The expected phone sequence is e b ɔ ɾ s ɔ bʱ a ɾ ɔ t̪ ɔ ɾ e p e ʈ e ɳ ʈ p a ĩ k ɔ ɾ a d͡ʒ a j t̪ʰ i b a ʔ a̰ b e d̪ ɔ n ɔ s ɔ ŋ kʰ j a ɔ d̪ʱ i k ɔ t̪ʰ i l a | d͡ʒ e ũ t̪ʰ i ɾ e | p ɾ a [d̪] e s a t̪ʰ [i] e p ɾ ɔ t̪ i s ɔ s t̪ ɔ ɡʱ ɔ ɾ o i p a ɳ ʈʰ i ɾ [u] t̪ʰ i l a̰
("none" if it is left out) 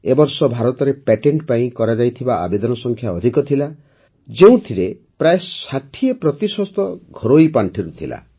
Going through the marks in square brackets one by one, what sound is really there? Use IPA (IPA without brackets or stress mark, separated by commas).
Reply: none, i, u